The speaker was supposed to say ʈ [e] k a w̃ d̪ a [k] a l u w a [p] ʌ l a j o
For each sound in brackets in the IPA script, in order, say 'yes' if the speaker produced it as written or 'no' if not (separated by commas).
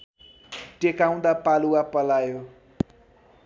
yes, no, yes